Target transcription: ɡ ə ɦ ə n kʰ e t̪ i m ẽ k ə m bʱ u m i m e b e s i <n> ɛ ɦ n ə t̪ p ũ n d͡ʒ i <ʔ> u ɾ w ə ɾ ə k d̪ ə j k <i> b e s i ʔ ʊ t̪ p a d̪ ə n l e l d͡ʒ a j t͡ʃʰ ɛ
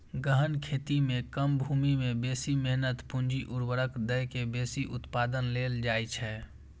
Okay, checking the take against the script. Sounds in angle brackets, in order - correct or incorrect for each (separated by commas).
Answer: incorrect, correct, incorrect